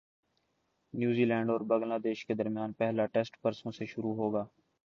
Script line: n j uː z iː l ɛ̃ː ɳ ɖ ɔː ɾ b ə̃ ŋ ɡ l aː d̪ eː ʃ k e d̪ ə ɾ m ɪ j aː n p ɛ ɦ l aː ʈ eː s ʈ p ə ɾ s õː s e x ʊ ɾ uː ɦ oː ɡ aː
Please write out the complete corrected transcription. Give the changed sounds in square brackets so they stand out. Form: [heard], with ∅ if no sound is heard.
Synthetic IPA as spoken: n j uː z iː l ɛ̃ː ɳ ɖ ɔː ɾ b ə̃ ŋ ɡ l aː d̪ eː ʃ k e d̪ ə ɾ m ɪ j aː n p ɛ ɦ l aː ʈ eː s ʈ p ə ɾ s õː s e [ʃ] ʊ ɾ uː ɦ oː ɡ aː